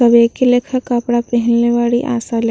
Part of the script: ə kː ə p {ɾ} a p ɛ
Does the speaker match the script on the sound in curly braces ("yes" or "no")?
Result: no